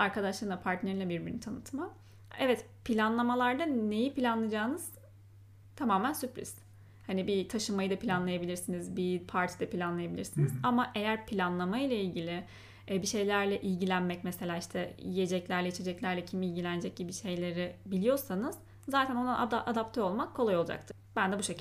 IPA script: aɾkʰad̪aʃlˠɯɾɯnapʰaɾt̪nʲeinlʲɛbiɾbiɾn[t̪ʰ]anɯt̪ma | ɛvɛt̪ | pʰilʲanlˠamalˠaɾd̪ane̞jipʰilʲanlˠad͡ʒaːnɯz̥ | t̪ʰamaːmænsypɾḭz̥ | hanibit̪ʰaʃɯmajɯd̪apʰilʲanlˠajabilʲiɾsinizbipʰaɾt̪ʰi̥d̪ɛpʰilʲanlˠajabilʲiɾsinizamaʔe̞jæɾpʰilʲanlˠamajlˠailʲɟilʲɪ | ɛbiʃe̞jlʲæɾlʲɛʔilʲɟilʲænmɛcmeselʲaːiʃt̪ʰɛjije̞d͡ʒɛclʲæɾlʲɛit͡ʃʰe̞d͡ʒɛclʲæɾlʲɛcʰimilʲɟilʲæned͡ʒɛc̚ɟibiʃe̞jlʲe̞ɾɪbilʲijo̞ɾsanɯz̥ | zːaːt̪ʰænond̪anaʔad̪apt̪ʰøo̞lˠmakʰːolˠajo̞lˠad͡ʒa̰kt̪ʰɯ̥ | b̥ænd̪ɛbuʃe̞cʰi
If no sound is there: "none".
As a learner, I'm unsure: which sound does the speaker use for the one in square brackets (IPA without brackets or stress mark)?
t̪ʰ